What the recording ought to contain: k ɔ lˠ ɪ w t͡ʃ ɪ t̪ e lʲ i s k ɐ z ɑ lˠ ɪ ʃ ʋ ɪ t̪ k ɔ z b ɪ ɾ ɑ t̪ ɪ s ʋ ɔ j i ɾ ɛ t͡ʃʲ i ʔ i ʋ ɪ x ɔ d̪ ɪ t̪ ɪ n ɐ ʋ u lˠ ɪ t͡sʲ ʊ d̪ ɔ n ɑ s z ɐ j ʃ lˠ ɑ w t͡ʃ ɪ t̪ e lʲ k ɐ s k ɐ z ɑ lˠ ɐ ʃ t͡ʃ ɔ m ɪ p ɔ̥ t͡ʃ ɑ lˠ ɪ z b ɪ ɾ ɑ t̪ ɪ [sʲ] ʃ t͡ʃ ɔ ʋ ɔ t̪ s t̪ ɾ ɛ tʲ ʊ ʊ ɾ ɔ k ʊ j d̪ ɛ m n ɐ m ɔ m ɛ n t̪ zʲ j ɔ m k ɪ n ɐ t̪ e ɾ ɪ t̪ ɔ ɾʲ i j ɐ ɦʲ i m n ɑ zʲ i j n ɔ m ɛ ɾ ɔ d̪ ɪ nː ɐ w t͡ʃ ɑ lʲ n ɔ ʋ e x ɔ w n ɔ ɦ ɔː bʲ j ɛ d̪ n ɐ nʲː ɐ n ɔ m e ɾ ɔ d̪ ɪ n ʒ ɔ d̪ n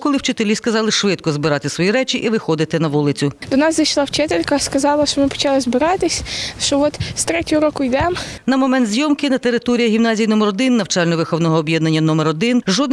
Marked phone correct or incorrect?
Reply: correct